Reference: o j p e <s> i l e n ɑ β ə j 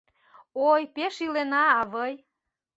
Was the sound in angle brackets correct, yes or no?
no